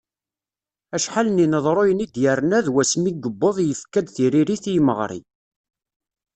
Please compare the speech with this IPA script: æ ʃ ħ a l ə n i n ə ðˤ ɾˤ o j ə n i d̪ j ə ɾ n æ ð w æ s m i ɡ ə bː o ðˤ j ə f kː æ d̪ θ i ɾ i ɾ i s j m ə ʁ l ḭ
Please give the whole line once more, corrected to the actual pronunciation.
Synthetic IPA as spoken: æ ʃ ħ a l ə n i n ə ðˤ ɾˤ o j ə n i d̪ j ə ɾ n æ ð w æ s m i ɡ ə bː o ðˤ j ə f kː æ d̪ θ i ɾ i ɾ i θ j m ə ʁ ɾ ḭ